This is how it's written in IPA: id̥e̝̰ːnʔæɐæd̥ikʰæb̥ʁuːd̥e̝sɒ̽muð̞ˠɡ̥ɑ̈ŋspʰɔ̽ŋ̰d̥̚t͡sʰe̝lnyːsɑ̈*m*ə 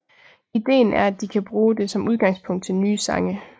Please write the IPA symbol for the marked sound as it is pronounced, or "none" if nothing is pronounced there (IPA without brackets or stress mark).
ŋ